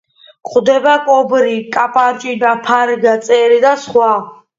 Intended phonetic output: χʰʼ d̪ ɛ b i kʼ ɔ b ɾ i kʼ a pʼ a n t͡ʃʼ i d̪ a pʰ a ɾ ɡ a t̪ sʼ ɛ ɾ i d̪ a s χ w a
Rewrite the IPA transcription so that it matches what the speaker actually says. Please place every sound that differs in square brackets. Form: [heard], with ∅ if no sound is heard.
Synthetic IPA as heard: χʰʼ d̪ ɛ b [a] kʼ ɔ b ɾ i kʼ a pʼ a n t͡ʃʼ i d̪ a pʰ a ɾ ɡ a t̪ sʼ ɛ ɾ i d̪ a s χ w a